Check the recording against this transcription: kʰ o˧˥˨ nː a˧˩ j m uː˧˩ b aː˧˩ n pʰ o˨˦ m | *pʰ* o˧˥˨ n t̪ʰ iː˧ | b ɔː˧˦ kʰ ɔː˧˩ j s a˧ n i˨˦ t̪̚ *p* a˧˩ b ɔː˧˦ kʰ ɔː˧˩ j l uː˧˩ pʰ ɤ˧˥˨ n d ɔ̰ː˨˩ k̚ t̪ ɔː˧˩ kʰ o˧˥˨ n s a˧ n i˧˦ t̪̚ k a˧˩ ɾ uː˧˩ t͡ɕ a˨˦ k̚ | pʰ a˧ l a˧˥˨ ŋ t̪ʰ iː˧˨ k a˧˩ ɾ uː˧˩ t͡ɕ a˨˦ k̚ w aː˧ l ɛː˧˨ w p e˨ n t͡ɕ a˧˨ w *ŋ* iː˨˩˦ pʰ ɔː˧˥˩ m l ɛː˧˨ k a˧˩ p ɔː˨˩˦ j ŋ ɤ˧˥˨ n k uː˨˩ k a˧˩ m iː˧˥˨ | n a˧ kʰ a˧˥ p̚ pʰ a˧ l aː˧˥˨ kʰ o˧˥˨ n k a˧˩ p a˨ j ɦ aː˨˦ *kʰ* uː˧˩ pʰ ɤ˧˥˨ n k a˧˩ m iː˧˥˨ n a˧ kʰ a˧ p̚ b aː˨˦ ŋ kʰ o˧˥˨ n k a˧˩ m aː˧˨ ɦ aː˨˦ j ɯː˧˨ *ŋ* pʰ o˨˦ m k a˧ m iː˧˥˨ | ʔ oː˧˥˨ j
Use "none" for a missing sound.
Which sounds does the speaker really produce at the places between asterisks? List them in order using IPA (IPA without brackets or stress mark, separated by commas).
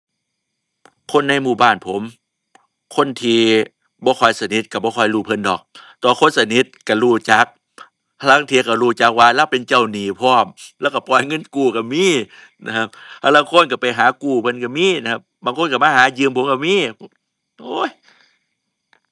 kʰ, k, n, k, m